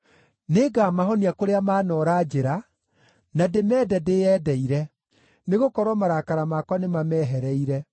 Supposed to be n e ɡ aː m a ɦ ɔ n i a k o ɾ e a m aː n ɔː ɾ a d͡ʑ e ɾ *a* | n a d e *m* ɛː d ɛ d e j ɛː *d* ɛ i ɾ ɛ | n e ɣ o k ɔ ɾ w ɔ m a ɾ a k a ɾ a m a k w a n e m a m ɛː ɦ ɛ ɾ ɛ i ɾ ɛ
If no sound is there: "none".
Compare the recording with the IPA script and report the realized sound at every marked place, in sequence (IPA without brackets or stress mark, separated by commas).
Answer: a, m, d